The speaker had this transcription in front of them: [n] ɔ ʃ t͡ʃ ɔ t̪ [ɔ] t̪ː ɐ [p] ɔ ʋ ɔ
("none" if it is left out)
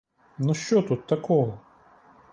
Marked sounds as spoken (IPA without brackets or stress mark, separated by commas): n, u, k